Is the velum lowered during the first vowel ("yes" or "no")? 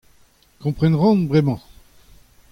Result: yes